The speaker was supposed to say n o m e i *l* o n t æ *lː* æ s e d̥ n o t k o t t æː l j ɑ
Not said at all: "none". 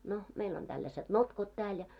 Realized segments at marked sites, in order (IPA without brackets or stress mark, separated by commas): l, lː